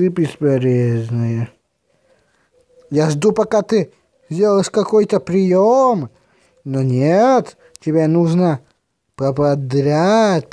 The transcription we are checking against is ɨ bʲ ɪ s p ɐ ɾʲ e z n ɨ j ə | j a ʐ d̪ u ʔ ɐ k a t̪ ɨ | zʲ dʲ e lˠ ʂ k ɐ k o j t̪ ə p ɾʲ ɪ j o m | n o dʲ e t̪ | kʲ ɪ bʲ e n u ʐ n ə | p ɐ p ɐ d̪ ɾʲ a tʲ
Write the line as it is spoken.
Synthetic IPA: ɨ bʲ ɪ s p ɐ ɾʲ e z n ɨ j ə | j a ʐ d̪ u p ɐ k a t̪ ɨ | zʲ dʲ e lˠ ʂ k ɐ k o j t̪ ə p ɾʲ ɪ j o m | n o nʲ e t̪ | tʲ ɪ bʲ e n u ʐ n ə | p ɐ p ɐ d̪ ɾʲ a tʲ